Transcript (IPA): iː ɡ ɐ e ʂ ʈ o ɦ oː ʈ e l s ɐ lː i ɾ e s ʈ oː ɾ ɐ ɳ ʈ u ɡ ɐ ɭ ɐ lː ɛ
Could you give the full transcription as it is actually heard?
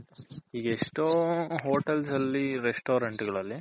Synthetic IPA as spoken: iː ɡ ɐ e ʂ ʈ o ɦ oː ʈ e l s ɐ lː i ɾ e s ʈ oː ɾ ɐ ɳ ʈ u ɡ ɐ ɭ ɐ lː i